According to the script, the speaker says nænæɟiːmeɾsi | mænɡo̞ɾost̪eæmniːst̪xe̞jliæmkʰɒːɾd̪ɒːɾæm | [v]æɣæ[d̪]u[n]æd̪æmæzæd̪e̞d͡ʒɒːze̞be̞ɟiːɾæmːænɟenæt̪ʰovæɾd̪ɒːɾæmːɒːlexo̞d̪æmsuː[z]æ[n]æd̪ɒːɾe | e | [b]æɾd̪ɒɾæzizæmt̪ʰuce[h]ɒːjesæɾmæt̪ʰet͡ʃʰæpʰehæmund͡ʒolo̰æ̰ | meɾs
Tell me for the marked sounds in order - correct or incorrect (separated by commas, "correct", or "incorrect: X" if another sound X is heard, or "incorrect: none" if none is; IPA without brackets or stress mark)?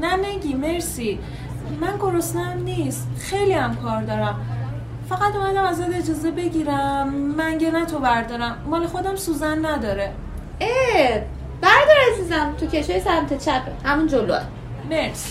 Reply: incorrect: f, incorrect: t̪, incorrect: m, correct, incorrect: nː, correct, incorrect: ʃ